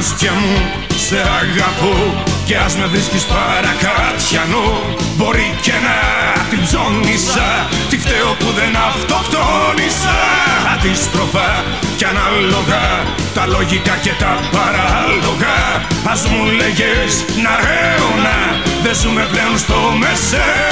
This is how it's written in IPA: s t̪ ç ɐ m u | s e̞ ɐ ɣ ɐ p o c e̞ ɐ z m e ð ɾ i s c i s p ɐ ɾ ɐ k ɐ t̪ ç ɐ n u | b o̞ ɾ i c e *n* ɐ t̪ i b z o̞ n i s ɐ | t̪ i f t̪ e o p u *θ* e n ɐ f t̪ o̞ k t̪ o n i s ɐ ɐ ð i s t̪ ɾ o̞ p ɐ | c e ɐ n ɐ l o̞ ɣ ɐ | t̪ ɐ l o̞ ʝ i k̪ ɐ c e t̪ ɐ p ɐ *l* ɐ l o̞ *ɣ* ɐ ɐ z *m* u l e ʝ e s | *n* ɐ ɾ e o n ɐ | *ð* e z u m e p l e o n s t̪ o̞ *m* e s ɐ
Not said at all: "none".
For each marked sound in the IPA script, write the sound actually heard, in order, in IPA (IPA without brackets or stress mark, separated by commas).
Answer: n, ð, ɾ, ɣ, m, n, ð, m